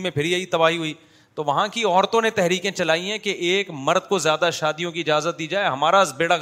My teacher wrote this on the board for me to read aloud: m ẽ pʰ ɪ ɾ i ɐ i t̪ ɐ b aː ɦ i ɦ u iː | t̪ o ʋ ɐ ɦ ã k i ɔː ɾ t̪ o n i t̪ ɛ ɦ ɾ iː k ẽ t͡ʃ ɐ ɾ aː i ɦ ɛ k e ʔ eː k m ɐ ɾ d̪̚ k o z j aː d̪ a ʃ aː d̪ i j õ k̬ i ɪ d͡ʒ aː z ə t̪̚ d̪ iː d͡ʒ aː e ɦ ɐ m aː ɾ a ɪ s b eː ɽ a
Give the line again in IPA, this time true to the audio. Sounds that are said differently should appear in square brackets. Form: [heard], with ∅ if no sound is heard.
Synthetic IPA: m ẽ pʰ ɪ ɾ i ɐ i t̪ ɐ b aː ɦ i ɦ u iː | t̪ o ʋ ɐ ɦ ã k i ɔː ɾ t̪ [õ] n [e] t̪ ɛ ɦ ɾ iː k ẽ t͡ʃ ɐ [l] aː i ɦ [ɛ̃] k e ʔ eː k m ɐ ɾ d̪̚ k o z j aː d̪ a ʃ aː d̪ i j õ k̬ i ɪ d͡ʒ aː z ə t̪̚ d̪ iː d͡ʒ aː e ɦ ɐ m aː ɾ a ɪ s b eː ɽ a